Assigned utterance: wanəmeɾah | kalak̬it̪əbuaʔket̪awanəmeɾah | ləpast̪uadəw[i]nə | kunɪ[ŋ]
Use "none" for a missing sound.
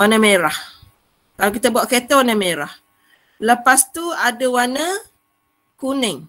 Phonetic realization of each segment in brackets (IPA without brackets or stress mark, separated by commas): a, ŋ